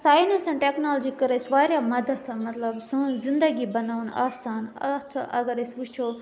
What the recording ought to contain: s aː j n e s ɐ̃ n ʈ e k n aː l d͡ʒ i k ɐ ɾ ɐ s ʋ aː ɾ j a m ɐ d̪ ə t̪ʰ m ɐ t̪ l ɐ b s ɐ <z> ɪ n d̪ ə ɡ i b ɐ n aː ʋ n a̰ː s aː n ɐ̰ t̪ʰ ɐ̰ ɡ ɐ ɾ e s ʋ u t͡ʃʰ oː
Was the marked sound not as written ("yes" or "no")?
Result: no